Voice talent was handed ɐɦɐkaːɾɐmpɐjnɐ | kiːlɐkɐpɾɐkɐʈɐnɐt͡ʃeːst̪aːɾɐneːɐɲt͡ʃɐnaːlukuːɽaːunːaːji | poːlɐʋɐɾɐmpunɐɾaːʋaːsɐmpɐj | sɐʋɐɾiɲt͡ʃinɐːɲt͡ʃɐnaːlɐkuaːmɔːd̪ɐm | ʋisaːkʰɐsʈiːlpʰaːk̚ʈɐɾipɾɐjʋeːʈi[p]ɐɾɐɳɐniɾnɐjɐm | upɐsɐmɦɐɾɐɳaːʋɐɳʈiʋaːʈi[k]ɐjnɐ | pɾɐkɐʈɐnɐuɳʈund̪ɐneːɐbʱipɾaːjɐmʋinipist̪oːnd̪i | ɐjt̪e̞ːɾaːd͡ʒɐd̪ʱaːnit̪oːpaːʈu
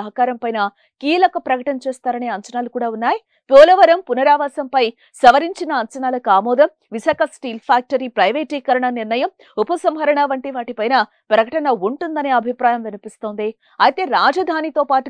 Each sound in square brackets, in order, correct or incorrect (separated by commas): incorrect, incorrect